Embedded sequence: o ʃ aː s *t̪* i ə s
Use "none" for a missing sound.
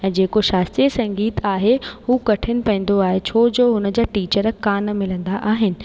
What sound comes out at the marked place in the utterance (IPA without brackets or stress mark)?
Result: t̪